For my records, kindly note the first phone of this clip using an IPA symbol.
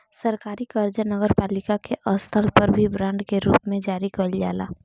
s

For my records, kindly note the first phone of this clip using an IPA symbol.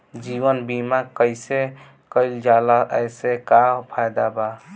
d͡ʒ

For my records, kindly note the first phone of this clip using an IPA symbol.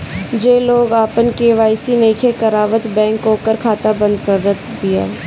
d͡ʒ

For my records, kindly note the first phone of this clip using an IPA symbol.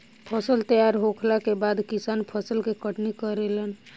pʰ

